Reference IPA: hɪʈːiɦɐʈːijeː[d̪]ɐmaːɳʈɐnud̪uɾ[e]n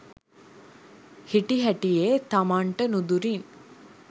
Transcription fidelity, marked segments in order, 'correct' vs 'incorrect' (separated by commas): incorrect, incorrect